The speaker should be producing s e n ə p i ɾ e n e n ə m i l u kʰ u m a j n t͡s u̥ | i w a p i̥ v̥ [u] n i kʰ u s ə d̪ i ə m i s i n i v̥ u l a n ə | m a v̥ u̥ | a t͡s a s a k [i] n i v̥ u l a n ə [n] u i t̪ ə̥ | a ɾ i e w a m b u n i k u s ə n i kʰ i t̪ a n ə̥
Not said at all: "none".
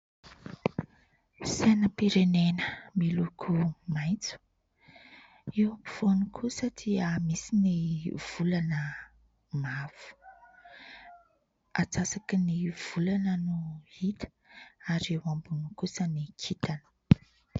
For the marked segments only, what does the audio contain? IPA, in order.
o, i, n

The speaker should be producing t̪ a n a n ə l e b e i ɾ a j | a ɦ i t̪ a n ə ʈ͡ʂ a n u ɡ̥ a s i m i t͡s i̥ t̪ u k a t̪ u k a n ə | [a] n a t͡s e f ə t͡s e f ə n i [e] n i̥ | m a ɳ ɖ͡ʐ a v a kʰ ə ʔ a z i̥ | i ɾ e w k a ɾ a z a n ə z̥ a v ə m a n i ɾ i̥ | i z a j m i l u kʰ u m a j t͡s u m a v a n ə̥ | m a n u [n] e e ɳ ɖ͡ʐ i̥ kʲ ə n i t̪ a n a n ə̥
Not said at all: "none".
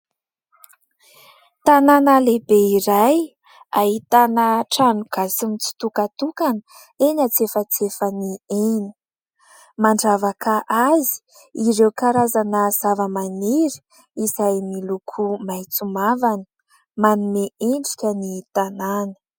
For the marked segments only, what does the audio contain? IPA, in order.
e, e, m

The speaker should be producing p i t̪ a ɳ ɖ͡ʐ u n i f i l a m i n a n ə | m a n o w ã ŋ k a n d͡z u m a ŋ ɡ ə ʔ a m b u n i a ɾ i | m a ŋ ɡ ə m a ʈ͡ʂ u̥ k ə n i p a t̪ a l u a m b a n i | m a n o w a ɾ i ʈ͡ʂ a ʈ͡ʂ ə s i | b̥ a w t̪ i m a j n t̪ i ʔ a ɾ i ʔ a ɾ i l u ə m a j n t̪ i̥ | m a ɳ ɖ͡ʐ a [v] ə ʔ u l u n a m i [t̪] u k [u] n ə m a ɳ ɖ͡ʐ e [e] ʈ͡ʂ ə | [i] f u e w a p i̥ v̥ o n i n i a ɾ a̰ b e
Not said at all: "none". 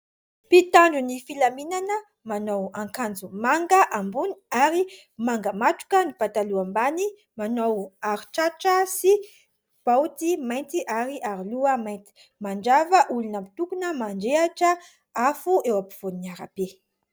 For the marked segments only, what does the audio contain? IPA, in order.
v, t̪, u, a, a

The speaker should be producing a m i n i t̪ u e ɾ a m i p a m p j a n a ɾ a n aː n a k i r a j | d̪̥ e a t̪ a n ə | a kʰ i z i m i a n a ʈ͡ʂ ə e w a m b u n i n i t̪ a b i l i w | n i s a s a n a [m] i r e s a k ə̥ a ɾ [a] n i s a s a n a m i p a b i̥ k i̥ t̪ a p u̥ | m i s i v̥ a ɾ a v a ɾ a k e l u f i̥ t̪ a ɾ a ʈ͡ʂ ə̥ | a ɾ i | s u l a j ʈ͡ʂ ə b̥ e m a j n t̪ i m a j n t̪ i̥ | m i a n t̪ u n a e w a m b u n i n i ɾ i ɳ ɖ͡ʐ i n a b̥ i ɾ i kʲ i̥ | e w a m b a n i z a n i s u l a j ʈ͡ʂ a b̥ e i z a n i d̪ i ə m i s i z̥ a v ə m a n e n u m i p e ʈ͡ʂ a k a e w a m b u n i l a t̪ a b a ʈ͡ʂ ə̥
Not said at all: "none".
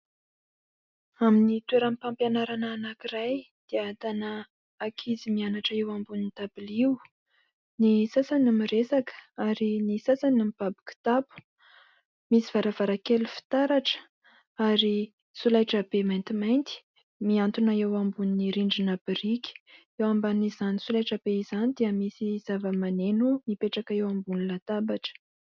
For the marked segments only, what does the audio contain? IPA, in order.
m, i

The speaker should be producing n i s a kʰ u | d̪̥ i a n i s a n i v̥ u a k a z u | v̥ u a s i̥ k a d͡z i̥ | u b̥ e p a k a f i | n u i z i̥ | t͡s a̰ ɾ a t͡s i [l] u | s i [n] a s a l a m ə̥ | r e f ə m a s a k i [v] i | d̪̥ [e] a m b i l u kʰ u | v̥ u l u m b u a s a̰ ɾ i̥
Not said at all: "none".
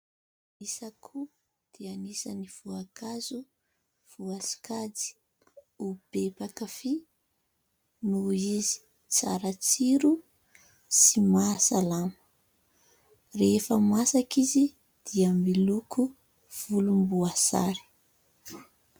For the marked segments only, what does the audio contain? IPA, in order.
ɾ, m, z, i

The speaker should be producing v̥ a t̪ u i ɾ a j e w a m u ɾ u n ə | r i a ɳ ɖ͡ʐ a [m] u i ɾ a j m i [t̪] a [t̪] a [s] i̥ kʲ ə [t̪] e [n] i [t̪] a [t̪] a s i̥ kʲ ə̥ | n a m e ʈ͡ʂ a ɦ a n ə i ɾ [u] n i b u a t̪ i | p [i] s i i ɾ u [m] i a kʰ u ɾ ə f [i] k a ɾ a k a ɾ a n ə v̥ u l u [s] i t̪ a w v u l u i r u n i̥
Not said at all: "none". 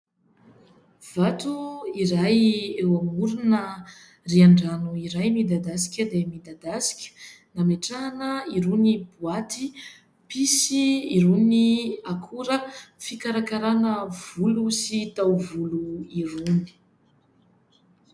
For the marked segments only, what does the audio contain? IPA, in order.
n, d̪, d̪, s, d̪, m, d̪, d̪, u, i, n, i, s

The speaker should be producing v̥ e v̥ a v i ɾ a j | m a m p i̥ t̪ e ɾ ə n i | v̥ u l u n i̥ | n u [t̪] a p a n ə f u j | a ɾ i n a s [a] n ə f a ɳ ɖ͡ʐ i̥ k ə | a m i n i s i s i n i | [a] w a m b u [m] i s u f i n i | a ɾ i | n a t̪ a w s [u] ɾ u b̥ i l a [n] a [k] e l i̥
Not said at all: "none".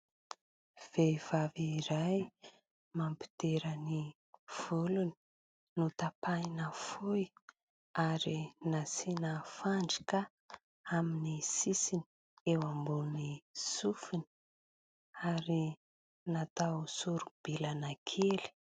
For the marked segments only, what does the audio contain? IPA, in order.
t̪, i, e, n, u, n, kʰ

